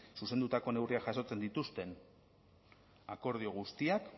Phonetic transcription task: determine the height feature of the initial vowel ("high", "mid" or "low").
high